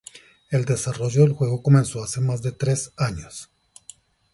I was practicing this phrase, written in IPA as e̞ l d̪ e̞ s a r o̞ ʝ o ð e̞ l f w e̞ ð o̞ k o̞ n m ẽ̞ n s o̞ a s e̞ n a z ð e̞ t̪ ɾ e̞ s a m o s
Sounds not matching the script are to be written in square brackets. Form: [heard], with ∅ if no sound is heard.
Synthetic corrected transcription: e̞ l d̪ e̞ s a r o̞ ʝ o ð e̞ l [x] w e̞ [ɣ] o̞ k o̞ [∅] m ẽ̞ n s o̞ a s e̞ [m] a z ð e̞ t̪ ɾ e̞ s a [ɲ] o s